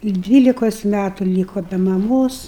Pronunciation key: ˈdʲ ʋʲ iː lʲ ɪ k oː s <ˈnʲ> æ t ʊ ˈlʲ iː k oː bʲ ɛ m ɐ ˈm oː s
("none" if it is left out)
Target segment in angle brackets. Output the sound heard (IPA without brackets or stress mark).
mʲ